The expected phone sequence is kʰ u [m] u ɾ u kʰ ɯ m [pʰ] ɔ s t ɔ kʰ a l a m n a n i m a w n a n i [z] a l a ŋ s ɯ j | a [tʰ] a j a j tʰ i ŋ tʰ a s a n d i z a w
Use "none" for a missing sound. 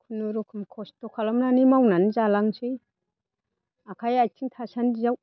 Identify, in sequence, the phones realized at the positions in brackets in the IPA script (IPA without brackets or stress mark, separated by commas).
n, kʰ, z, kʰ